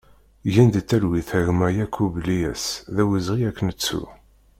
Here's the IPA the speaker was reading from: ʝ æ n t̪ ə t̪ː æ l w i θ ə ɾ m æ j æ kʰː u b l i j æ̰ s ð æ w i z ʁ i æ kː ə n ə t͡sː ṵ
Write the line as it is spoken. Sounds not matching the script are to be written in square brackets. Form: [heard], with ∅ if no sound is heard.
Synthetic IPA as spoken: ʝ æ n [d̪] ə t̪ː æ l w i θ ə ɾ m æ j æ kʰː u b l i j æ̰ s ð æ w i z ʁ i æ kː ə n ə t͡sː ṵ